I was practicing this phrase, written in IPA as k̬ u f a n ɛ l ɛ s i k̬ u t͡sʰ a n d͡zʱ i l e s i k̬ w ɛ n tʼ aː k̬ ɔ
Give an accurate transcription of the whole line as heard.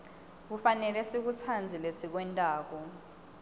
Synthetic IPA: k̬ u f a n ɛ l ɛ s i k̬ u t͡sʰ a n d͡zʱ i l e s i k̬ w ɛ n tʼ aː k̬ ɔ